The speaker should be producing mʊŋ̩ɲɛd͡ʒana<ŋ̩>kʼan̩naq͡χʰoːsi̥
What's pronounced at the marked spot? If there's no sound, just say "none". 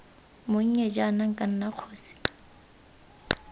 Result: ŋ̩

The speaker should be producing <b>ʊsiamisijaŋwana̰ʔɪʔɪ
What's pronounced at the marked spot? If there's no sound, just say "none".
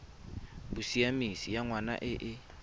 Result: b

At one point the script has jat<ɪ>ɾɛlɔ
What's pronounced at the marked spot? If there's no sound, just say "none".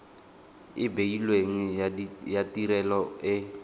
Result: i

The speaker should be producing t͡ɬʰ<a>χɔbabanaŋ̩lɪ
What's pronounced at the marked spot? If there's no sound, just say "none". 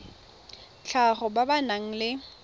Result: a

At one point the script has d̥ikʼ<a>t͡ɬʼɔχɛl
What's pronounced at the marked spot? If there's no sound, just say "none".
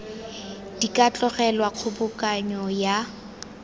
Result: a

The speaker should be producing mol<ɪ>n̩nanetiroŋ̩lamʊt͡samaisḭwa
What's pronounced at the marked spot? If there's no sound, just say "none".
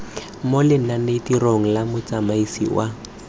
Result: ɪ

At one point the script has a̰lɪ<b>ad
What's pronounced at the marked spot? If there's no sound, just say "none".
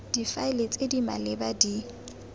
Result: b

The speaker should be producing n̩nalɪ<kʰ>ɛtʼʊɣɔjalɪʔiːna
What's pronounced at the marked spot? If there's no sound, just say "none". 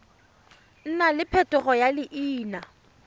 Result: pʰ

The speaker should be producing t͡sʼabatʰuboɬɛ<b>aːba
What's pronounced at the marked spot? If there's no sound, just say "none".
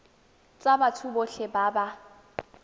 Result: b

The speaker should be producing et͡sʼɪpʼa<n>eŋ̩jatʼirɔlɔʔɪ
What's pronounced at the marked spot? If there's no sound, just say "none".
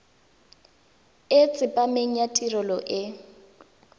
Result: m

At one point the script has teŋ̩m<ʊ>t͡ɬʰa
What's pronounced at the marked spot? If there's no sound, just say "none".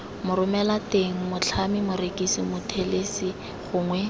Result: ʊ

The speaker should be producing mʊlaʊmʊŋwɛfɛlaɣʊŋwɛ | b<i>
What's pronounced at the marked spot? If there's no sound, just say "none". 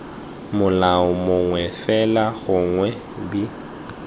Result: i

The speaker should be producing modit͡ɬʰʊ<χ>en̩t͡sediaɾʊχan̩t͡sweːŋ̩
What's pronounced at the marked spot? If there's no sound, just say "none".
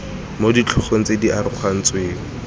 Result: χ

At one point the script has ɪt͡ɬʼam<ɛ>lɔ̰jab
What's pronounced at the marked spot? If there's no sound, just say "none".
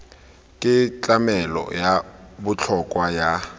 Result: ɛ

